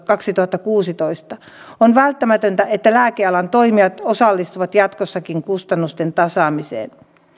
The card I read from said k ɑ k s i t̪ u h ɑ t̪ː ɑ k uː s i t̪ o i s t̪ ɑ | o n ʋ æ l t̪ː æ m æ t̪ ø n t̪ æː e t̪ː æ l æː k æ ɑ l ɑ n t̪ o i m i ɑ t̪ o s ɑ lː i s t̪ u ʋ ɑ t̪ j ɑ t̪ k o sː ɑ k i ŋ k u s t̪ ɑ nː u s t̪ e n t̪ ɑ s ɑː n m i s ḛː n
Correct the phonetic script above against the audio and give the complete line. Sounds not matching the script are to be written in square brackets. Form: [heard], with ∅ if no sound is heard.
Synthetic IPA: k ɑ k s i t̪ u h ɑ t̪ː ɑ k uː s i t̪ o i s t̪ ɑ | o n ʋ æ l t̪ː æ m æ t̪ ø n t̪ [æ] e t̪ː æ l æː k [e] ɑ l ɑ n t̪ o i m i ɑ t̪ o s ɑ lː i s t̪ u ʋ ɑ t̪ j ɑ t̪ k o sː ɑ k i ŋ k u s t̪ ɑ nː u s t̪ e n t̪ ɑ s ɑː [∅] m i s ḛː n